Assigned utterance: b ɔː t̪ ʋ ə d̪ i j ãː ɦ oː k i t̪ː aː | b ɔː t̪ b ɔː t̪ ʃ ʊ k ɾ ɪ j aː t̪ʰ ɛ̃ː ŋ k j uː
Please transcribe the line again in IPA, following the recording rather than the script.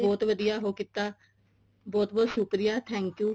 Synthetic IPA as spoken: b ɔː t̪ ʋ ə d̪ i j aː ɦ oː k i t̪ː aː | b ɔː t̪ b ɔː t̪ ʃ ʊ k ɾ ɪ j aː t̪ʰ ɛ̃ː ŋ k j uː